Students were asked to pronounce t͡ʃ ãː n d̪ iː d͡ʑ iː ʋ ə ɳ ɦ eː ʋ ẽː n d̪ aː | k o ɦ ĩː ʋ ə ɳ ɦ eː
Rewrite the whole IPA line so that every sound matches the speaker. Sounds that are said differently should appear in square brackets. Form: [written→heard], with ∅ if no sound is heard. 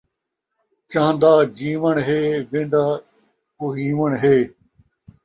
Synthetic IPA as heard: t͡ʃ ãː n d̪ [iː→aː] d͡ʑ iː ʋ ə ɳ ɦ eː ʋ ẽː n d̪ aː | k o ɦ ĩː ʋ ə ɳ ɦ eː